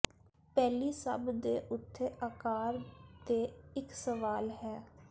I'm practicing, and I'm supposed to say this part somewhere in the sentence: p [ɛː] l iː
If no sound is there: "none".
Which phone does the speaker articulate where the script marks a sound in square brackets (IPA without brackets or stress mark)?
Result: ɛː